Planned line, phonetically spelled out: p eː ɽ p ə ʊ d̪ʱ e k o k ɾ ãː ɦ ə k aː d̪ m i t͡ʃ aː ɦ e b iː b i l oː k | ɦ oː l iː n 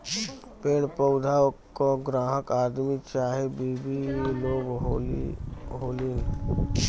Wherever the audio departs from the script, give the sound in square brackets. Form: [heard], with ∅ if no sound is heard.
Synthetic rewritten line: p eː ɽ p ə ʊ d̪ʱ [a] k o [ɡ] ɾ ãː ɦ ə k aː d̪ m i t͡ʃ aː ɦ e b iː b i l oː [ɡ] | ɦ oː l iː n